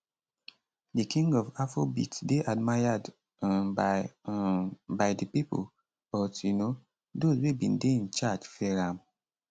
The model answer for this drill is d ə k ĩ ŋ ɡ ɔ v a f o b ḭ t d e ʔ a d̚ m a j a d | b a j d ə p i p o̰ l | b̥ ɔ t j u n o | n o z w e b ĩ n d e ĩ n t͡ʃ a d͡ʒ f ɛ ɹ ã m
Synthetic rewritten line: d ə k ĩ ŋ ɡ ɔ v a f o b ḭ t d e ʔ a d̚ m a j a d | b a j d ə p i p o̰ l | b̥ ɔ t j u n o | d o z w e b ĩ n d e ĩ n t͡ʃ a d͡ʒ f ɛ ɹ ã m